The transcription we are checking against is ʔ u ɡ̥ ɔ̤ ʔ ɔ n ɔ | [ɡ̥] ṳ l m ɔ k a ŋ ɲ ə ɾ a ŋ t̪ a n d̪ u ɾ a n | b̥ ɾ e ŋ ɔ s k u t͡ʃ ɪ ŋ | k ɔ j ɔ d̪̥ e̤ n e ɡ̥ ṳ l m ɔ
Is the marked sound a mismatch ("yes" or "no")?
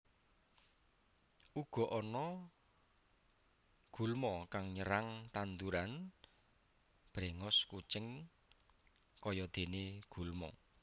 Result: no